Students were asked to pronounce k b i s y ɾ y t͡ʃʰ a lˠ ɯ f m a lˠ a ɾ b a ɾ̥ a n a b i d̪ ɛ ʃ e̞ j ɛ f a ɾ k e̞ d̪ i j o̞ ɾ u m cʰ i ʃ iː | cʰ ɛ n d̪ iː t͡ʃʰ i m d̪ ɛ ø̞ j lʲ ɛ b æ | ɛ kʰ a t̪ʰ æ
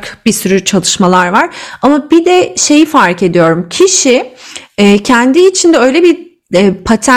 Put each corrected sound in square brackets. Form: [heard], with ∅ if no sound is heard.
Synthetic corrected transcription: k b i s y ɾ y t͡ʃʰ a lˠ ɯ [ʃ] m a lˠ a ɾ [v] a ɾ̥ a [m] a b i d̪ ɛ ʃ e̞ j [i] f a ɾ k e̞ d̪ i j o̞ ɾ u m cʰ i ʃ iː | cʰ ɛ n d̪ iː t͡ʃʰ i [n] d̪ ɛ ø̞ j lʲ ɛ b [i] | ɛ [pʰ] a t̪ʰ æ